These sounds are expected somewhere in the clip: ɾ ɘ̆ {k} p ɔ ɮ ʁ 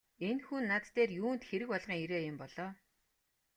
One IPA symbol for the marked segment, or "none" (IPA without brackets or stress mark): k